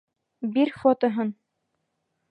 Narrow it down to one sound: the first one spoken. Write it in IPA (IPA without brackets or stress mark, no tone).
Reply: b